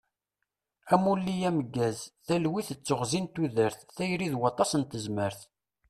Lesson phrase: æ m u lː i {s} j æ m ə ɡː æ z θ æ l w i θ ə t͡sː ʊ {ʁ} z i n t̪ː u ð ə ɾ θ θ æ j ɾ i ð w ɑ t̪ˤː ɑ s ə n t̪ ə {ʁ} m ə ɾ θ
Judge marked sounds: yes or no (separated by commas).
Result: no, yes, no